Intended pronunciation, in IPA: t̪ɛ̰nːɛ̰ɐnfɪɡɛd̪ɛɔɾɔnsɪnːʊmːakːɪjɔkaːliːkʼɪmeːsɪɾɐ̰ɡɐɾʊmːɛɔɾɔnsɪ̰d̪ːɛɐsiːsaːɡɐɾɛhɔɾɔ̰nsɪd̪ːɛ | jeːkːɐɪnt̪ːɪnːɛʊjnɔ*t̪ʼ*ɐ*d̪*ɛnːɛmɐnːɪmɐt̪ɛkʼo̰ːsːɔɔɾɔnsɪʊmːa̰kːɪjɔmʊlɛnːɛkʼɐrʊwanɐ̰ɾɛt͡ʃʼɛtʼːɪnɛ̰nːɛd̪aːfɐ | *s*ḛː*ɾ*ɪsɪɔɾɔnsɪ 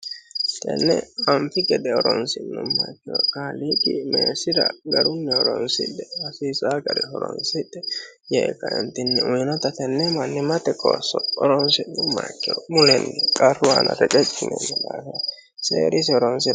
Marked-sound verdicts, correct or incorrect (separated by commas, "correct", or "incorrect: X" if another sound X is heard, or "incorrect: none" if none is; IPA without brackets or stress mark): incorrect: t̪, incorrect: t̪, correct, correct